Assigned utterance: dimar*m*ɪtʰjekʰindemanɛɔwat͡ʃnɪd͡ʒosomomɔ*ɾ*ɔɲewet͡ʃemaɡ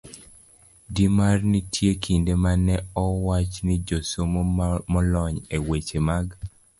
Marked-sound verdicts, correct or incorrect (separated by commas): incorrect, incorrect